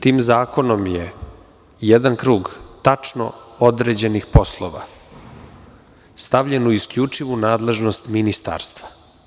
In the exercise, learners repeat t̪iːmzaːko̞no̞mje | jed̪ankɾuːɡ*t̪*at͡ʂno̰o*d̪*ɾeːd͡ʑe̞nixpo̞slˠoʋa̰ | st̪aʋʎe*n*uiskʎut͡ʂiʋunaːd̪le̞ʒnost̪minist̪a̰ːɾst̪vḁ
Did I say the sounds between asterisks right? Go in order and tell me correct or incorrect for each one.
correct, correct, correct

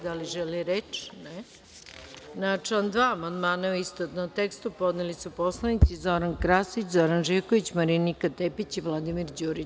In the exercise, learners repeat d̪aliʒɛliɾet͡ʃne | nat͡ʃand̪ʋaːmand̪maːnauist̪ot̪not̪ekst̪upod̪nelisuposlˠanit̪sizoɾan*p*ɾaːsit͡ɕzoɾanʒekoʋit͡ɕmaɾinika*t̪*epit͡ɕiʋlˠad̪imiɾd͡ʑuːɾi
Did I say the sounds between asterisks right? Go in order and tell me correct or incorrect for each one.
incorrect, correct

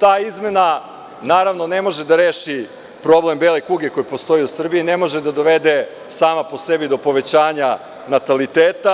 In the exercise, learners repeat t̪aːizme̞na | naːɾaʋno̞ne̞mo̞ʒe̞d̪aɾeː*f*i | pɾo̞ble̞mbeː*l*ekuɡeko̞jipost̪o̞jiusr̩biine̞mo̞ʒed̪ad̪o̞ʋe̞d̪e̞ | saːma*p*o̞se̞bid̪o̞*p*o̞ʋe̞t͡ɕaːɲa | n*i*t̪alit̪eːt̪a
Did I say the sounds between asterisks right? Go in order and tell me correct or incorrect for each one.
incorrect, correct, correct, correct, incorrect

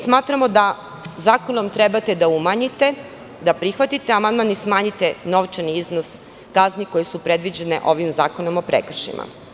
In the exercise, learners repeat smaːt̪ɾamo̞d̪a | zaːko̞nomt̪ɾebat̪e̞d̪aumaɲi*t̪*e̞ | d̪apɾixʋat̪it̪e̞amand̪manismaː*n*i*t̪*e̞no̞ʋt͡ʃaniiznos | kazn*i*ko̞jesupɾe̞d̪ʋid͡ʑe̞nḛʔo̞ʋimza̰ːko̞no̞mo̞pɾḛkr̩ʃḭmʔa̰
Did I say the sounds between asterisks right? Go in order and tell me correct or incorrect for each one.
correct, incorrect, correct, correct

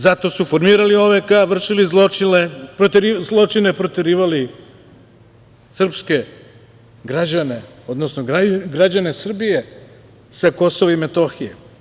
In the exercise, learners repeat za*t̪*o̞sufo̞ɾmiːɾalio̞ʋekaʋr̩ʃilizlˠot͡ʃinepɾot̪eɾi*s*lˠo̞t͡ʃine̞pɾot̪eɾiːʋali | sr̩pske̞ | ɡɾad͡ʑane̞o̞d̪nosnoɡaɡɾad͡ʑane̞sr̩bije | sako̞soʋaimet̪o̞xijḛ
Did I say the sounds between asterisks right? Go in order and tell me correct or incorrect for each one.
correct, incorrect

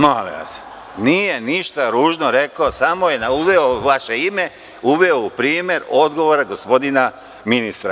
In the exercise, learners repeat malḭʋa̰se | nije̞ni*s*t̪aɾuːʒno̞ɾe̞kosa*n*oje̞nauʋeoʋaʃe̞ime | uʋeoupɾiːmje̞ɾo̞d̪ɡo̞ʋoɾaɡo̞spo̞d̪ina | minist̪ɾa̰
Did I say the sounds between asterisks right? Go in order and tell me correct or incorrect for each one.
incorrect, incorrect

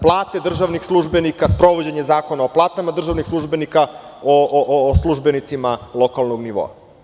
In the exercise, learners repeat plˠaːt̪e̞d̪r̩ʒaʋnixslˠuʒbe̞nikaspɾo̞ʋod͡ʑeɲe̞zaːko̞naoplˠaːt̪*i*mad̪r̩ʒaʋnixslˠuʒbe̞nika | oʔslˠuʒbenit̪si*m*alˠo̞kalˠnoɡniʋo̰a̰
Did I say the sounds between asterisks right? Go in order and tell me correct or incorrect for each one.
incorrect, correct

